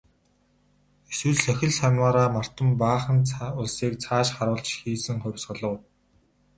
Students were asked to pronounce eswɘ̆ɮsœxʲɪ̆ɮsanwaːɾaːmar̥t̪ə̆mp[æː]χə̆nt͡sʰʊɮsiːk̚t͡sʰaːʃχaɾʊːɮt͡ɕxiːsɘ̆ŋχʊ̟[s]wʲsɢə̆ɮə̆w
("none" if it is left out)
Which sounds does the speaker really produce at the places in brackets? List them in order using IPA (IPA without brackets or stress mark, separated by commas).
aː, none